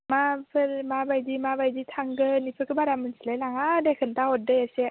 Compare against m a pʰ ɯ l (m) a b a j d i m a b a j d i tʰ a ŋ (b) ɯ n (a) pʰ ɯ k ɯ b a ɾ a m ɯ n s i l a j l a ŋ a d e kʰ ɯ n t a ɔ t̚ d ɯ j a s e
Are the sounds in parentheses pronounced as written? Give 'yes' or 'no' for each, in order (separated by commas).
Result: yes, no, no